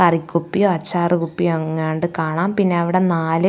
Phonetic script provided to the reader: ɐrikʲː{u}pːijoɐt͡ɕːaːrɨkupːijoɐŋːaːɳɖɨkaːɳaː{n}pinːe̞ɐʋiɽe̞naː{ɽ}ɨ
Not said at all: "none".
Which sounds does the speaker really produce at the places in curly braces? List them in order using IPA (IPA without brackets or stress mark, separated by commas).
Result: u, m, l